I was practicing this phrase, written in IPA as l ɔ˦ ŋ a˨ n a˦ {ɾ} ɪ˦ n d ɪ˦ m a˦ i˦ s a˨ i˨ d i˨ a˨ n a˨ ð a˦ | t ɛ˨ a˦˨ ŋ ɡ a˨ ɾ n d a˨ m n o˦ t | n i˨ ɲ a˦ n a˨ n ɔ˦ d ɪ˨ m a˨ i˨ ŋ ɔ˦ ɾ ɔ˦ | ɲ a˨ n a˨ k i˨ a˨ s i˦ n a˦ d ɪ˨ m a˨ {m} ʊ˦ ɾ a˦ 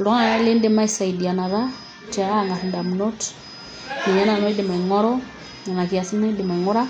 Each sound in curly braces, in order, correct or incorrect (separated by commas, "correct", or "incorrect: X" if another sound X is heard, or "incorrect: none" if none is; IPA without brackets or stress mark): incorrect: l, incorrect: ŋ